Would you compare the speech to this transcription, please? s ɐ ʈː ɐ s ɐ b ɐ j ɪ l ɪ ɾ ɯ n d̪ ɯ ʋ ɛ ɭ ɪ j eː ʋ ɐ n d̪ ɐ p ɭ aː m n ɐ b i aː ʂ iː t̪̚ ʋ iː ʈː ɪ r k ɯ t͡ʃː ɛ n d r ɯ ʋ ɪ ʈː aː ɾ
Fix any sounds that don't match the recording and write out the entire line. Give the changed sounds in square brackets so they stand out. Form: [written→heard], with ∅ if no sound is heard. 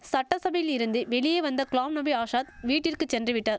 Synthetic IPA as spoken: s ɐ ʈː ɐ s ɐ b ɐ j ɪ l ɪ ɾ ɯ n d̪ ɯ ʋ ɛ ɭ ɪ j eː ʋ ɐ n d̪ ɐ [p→k] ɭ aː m n ɐ b i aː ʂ [iː→aː] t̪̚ ʋ iː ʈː ɪ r k ɯ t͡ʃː ɛ n d r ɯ ʋ ɪ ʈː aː ɾ